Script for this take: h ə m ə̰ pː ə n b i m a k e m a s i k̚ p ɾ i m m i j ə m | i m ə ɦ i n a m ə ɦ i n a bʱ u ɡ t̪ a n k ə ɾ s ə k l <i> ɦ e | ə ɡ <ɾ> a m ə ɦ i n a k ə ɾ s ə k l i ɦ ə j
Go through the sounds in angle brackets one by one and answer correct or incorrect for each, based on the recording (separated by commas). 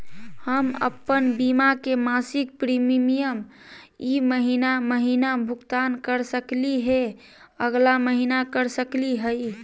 correct, incorrect